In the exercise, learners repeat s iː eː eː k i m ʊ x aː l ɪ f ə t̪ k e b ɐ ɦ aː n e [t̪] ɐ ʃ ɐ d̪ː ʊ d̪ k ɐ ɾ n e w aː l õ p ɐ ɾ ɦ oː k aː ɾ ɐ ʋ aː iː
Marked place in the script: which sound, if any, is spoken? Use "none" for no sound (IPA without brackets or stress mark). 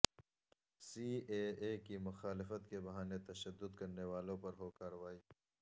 t̪